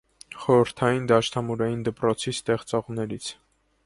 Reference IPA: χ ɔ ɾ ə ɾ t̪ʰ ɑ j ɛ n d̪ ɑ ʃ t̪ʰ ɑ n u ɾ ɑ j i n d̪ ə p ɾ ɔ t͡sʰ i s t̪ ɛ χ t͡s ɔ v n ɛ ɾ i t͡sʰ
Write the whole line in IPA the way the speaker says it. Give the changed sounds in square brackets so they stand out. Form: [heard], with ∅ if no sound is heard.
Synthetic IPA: χ ɔ ɾ ə ɾ t̪ʰ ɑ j [i] n d̪ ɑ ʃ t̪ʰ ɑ [m] u ɾ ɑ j i n d̪ ə p ɾ ɔ t͡sʰ i s t̪ ɛ χ t͡s ɔ [ʁ] n ɛ ɾ i t͡sʰ